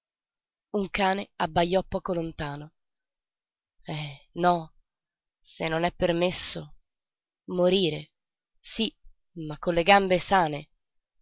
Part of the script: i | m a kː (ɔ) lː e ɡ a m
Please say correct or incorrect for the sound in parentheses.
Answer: incorrect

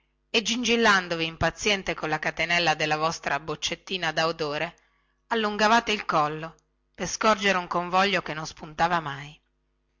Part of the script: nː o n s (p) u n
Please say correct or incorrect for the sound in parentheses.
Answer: correct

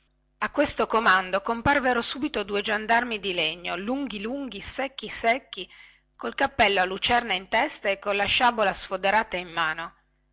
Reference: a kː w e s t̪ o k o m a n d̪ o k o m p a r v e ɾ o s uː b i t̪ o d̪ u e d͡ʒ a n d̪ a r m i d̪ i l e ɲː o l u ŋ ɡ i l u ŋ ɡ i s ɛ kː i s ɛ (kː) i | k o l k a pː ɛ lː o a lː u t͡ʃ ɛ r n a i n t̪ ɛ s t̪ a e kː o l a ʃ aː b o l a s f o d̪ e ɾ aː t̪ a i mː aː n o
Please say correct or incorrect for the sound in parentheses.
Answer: correct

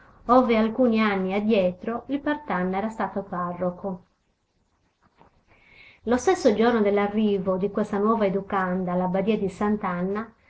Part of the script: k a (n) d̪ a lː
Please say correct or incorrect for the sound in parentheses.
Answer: correct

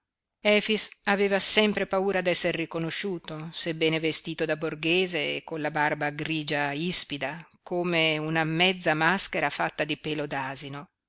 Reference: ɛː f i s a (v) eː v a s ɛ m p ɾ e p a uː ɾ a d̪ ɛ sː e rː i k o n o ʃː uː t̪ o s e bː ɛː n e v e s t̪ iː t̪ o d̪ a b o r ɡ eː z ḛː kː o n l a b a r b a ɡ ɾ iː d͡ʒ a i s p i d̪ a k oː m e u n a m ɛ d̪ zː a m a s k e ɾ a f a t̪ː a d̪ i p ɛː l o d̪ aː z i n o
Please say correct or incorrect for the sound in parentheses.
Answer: correct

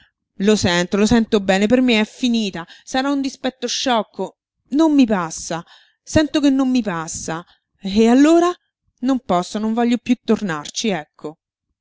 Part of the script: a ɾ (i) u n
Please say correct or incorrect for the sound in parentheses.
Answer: incorrect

